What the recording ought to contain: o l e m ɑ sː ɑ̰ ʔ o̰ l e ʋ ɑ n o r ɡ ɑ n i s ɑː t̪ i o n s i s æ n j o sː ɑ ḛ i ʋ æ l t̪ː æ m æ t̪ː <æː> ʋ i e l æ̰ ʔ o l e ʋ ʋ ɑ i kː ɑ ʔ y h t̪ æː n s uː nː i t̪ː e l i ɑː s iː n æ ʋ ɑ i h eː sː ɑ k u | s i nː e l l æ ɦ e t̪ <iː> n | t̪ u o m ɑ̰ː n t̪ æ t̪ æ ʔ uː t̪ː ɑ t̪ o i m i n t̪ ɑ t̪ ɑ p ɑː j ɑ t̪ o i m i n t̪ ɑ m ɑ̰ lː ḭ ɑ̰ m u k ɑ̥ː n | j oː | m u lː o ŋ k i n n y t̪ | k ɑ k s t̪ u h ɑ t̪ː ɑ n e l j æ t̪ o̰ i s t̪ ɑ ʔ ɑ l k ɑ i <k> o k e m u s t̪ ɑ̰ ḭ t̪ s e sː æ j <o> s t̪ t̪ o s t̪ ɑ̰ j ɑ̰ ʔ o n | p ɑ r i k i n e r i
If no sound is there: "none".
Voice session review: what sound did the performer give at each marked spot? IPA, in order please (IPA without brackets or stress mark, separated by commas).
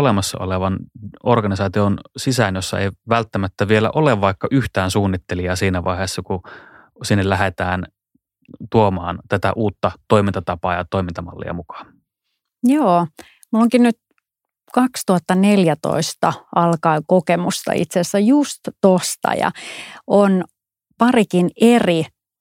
æ, æː, k, u